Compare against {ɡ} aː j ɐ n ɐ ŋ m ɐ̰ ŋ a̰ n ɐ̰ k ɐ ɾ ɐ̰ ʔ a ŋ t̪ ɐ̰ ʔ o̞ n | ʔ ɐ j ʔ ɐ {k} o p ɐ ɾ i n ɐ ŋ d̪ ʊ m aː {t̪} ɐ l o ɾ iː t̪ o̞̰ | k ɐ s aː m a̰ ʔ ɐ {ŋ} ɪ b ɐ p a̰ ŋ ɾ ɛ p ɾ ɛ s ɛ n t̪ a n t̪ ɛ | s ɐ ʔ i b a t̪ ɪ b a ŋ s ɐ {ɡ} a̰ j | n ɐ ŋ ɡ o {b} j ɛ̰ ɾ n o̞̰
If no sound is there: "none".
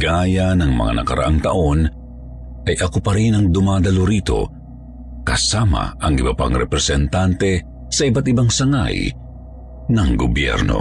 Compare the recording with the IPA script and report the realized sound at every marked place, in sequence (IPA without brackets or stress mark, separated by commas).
ɡ, k, d̪, ŋ, ŋ, b